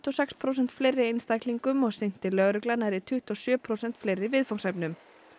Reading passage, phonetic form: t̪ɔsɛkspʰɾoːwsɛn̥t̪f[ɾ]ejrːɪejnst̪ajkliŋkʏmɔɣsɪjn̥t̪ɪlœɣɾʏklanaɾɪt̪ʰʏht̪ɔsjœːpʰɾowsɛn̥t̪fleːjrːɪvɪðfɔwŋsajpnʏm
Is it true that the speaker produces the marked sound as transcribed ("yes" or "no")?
no